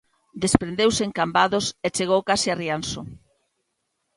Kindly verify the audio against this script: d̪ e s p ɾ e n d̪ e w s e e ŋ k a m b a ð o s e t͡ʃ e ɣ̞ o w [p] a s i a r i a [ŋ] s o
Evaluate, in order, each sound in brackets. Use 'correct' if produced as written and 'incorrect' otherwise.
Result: incorrect, incorrect

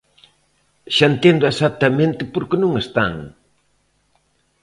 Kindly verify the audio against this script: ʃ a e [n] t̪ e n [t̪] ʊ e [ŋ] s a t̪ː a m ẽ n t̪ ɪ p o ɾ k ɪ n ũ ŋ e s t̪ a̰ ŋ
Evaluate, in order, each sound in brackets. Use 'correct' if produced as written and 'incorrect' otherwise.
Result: correct, incorrect, incorrect

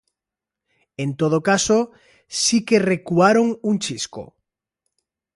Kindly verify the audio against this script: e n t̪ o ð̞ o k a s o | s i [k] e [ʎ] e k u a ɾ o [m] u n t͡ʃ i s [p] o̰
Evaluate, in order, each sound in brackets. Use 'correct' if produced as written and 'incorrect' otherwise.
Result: correct, incorrect, incorrect, incorrect

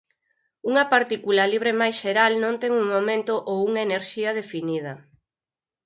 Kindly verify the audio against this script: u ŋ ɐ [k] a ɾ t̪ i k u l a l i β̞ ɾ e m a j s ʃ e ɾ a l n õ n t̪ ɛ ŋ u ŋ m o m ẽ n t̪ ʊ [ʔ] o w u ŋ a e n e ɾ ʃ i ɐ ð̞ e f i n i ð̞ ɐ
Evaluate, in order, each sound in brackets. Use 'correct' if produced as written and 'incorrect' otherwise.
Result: incorrect, correct

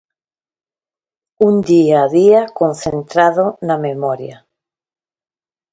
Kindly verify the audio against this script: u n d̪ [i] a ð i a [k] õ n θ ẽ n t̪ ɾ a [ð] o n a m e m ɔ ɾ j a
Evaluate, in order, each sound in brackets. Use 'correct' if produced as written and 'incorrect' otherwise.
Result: correct, correct, correct

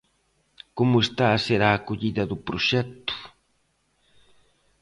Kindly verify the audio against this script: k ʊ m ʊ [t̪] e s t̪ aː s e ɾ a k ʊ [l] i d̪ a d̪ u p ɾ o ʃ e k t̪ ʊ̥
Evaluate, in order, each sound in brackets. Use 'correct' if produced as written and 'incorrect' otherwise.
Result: incorrect, incorrect

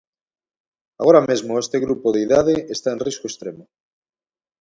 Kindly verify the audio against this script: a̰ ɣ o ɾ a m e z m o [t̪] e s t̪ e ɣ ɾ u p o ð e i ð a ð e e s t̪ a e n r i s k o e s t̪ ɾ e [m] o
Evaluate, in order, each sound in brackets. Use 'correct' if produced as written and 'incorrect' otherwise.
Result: incorrect, correct

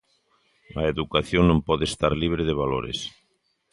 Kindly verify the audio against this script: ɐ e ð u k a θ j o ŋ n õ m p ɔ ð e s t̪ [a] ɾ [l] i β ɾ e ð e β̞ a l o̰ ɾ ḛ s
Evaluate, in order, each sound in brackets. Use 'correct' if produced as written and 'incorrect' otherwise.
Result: correct, correct

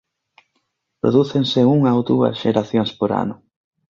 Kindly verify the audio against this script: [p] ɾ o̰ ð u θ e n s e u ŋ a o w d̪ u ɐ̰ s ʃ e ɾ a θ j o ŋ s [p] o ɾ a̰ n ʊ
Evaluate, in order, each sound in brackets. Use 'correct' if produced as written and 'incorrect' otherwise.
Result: correct, correct

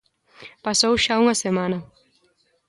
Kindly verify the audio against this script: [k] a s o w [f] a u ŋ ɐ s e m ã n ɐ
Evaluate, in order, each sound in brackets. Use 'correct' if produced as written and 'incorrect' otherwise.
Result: incorrect, incorrect

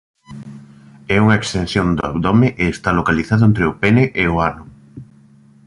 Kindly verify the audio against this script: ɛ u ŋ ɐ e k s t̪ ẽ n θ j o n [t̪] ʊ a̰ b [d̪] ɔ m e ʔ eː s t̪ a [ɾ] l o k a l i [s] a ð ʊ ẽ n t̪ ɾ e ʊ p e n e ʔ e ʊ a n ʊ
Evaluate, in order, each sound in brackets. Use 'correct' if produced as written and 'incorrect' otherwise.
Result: incorrect, correct, incorrect, incorrect

